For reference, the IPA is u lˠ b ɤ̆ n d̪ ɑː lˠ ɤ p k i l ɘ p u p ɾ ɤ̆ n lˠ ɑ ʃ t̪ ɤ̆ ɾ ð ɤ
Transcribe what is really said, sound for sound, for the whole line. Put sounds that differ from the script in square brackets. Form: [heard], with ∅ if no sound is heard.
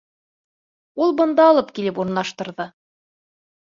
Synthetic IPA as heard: u lˠ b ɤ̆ n d̪ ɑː lˠ ɤ p k i l ɘ p u [∅] ɾ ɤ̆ n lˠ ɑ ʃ t̪ ɤ̆ ɾ ð ɤ